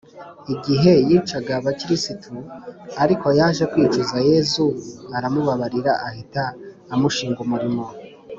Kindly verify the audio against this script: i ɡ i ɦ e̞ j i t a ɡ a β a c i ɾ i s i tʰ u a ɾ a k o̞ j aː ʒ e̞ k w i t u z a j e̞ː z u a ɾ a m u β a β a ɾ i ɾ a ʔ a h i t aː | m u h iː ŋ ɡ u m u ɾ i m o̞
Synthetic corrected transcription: i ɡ i ɦ e̞ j i t͡ʃ a ɡ a β a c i ɾ i s i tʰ u a ɾ i k o̞ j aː ʒ e̞ k w i t͡ʃ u z a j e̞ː z u a ɾ a m u β a β a ɾ i ɾ a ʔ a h i t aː | m u ʃ iː ŋ ɡ u m u ɾ i m o̞